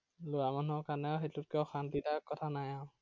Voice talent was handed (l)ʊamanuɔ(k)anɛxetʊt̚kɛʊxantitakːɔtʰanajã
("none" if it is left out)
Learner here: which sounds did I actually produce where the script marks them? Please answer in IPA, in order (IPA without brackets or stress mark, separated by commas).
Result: l, k